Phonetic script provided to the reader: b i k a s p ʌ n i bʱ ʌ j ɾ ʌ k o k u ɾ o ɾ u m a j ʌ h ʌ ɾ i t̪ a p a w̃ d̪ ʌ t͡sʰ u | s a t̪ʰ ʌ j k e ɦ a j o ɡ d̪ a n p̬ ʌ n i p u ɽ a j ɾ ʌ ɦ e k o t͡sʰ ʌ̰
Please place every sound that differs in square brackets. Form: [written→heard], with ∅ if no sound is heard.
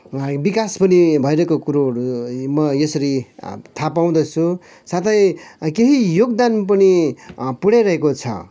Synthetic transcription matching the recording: b i k a s p ʌ n i bʱ ʌ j ɾ ʌ k o k u ɾ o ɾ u m [a→ʌ] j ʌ [h→s] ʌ ɾ i [t̪→t̪ʰ] a p a w̃ d̪ ʌ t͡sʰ u | s a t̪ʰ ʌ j k e ɦ [a→i] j o ɡ d̪ a n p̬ ʌ n i p u ɽ a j ɾ ʌ ɦ e k o t͡sʰ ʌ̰